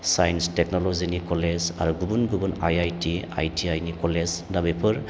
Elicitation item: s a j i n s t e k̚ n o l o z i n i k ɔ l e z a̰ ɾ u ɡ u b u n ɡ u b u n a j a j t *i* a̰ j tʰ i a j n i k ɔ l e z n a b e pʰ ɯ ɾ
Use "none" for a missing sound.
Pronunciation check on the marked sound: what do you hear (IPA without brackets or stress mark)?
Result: i